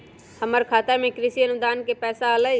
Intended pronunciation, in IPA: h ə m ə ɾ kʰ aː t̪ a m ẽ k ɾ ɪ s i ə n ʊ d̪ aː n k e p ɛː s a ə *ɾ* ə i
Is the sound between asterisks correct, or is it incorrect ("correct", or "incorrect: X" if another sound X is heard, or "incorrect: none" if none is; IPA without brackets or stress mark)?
incorrect: l